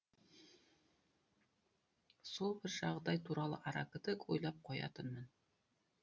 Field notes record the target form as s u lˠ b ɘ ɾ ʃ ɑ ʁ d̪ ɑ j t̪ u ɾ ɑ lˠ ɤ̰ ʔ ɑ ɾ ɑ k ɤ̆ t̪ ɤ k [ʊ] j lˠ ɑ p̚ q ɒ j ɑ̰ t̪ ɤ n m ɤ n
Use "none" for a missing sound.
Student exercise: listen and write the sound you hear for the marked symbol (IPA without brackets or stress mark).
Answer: u